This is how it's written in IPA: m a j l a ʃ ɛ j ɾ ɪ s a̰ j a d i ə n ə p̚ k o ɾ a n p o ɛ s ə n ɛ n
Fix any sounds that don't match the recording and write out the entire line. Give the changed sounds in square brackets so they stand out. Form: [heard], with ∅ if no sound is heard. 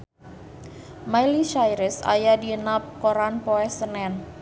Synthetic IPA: m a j l [i] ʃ [a] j ɾ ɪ s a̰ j a d i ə n [a] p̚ k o ɾ a n p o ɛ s ə n ɛ n